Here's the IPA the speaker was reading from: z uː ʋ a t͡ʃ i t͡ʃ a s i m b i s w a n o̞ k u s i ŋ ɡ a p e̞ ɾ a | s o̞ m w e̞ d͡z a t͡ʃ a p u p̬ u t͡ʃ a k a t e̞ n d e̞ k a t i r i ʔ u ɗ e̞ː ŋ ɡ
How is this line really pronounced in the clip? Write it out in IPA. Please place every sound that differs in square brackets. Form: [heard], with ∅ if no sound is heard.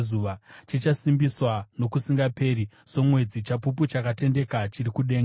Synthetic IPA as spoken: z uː ʋ a t͡ʃ i t͡ʃ a s i m b i s w a n o̞ k u s i ŋ ɡ a p e̞ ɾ [i] | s o̞ m w e̞ d͡z [i] t͡ʃ a p u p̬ u t͡ʃ a k a t e̞ n d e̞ k a [t͡ʃ] i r i [k] u ɗ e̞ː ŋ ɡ